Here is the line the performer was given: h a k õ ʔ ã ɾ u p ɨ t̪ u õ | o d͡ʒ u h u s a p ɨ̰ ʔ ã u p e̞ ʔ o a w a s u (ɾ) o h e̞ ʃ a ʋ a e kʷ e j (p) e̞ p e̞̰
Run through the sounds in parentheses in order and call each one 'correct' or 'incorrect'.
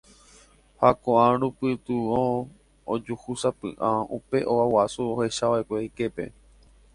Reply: incorrect, incorrect

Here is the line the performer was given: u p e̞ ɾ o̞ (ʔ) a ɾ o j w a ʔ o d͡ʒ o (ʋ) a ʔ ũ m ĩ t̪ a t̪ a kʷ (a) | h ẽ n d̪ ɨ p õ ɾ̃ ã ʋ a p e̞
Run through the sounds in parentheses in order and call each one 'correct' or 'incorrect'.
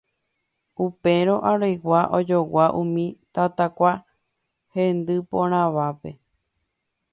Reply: correct, incorrect, correct

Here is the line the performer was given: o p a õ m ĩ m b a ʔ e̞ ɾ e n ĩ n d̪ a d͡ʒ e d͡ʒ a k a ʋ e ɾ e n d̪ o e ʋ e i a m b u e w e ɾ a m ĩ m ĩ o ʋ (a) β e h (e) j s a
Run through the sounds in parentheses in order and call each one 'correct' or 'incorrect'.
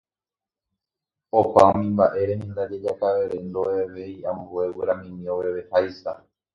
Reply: incorrect, incorrect

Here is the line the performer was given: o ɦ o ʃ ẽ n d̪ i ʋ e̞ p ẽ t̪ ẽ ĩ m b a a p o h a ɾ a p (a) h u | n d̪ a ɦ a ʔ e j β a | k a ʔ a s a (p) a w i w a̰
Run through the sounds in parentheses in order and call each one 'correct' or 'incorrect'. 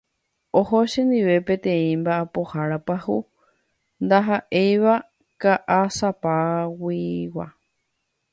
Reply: correct, correct

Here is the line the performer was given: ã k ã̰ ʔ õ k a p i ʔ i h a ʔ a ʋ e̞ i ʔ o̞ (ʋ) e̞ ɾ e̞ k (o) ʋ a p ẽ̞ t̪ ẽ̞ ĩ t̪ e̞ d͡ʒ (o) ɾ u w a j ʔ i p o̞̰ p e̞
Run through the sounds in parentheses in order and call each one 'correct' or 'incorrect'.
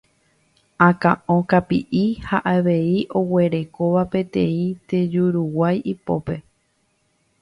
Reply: incorrect, correct, incorrect

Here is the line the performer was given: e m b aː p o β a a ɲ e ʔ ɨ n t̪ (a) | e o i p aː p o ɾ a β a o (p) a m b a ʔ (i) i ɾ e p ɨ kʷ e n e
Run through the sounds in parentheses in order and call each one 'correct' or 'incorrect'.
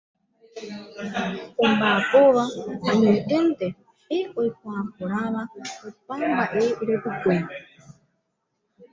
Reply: incorrect, correct, incorrect

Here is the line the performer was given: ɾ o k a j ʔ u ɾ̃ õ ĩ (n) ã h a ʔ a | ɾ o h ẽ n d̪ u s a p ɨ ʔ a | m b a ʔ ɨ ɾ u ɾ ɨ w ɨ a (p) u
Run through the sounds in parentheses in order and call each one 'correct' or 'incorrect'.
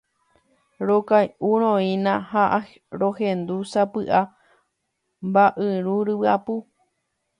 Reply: correct, correct

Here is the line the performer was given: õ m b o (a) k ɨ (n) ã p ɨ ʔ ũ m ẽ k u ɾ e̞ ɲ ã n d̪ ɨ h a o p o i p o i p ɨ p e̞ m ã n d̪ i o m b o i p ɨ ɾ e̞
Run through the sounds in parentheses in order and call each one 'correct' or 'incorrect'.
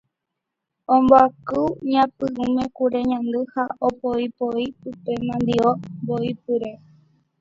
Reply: correct, incorrect

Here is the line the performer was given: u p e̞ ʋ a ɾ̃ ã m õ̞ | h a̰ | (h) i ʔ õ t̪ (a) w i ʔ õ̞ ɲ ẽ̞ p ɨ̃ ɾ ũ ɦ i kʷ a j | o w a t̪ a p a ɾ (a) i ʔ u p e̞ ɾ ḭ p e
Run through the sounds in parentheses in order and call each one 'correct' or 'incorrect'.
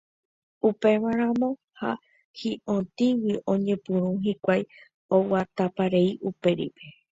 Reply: correct, incorrect, incorrect

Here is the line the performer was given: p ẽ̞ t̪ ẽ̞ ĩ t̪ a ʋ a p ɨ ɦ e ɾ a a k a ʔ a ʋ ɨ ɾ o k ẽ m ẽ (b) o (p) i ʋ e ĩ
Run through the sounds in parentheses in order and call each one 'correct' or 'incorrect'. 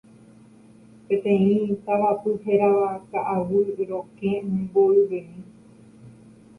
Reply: correct, incorrect

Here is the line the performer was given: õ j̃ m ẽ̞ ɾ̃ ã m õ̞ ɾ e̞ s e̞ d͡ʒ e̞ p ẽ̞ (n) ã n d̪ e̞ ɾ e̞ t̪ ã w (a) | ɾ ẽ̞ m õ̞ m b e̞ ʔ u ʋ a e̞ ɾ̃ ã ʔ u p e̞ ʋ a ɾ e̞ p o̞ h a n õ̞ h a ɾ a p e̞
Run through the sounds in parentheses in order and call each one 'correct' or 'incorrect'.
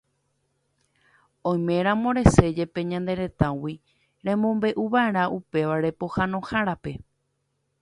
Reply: incorrect, incorrect

